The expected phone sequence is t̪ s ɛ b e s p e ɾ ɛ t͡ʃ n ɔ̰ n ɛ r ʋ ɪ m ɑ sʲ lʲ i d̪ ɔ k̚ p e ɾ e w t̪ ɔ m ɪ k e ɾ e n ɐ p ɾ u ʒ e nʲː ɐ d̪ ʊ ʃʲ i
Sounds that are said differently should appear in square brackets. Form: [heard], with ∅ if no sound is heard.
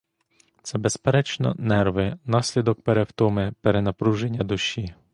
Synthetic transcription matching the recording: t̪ s ɛ b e s p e ɾ ɛ t͡ʃ n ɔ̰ n ɛ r ʋ ɪ [n] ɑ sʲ lʲ i d̪ ɔ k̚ p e ɾ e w t̪ ɔ m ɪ [p] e ɾ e n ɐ p ɾ u ʒ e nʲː ɐ d̪ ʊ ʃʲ i